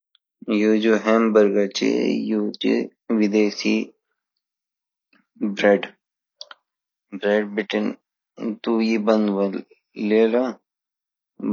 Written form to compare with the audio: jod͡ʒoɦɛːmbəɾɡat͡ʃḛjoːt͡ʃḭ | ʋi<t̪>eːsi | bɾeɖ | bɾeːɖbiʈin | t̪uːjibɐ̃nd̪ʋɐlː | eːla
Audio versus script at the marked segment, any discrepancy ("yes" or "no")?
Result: yes